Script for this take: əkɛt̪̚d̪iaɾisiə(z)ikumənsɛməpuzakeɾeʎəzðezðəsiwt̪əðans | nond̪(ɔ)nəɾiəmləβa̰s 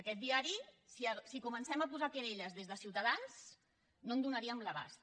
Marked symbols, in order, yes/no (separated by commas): no, no